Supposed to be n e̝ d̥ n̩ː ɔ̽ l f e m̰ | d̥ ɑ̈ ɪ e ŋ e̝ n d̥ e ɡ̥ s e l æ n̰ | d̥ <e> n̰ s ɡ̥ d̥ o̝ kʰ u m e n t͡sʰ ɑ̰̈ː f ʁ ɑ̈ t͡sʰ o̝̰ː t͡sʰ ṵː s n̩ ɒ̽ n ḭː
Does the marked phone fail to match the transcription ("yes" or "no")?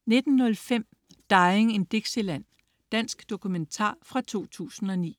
yes